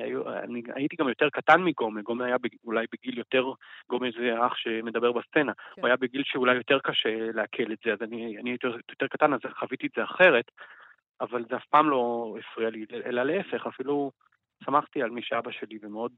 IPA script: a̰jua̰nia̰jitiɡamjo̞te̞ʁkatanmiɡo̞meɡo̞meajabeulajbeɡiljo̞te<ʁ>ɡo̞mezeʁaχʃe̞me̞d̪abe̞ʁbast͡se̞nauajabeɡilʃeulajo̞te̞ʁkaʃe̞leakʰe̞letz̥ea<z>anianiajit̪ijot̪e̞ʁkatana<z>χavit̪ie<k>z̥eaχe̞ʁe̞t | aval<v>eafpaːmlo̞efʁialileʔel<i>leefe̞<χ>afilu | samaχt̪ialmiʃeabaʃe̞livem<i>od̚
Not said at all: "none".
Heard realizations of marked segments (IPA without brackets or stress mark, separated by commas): ʁ, z, z, t, z, a, χ, e